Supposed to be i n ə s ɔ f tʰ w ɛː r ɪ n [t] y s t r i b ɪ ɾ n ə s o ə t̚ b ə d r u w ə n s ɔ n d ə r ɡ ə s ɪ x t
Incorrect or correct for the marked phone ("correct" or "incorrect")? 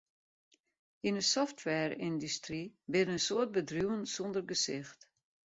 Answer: incorrect